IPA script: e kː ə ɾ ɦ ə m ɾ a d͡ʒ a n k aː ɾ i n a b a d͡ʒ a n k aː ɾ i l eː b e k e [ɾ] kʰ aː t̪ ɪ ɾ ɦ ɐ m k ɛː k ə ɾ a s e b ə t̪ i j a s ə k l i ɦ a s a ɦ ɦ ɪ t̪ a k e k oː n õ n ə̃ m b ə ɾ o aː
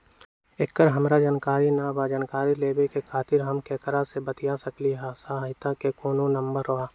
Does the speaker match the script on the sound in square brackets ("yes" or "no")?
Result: no